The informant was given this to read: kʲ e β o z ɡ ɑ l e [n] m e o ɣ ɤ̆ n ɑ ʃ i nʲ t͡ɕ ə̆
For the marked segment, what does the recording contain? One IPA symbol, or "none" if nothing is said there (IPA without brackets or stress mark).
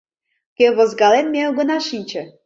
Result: n